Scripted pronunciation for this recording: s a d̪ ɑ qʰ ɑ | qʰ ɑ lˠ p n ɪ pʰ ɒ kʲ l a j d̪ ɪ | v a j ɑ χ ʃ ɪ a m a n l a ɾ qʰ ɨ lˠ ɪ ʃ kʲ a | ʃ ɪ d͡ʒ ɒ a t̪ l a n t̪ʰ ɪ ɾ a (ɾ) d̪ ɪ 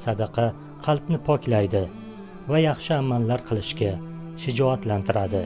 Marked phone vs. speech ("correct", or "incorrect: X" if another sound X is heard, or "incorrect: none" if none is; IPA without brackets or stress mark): incorrect: none